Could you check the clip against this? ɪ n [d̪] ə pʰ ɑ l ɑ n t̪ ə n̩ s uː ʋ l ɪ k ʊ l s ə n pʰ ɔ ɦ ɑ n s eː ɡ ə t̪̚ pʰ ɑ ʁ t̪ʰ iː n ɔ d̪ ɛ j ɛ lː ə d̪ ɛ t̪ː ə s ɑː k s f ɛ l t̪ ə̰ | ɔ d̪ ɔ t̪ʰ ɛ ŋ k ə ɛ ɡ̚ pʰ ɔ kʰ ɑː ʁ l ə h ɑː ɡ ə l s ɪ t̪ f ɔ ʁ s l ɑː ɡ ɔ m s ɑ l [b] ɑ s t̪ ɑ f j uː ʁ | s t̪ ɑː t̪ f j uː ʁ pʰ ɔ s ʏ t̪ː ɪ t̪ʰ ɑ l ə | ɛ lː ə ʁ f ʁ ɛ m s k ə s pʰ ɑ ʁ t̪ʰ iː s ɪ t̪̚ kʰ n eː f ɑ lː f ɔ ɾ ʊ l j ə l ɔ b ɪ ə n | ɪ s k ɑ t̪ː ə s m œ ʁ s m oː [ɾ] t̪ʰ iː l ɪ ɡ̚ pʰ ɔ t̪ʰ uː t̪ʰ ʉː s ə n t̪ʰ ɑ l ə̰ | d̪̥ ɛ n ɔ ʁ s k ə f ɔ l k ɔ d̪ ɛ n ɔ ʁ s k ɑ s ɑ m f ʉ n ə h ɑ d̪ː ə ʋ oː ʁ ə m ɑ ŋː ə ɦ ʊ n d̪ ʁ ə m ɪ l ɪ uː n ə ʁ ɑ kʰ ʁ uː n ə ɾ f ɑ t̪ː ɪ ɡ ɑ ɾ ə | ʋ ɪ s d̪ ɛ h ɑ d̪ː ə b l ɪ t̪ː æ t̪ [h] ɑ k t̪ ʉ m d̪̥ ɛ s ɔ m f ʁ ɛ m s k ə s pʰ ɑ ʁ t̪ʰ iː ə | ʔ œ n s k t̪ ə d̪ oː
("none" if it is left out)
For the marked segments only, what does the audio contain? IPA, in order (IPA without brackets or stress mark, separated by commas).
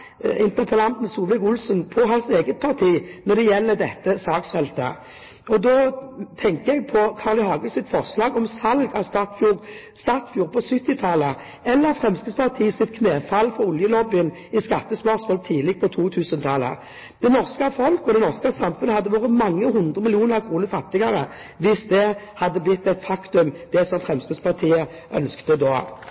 t̪, ɡ, l, f